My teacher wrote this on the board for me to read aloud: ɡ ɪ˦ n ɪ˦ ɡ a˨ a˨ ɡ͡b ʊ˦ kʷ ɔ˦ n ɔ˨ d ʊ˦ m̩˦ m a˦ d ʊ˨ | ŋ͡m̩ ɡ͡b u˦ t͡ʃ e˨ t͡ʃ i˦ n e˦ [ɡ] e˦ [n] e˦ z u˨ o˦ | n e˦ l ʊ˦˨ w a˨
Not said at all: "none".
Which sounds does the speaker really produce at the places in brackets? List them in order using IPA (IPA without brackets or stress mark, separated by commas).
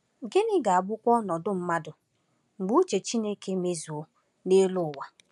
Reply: k, m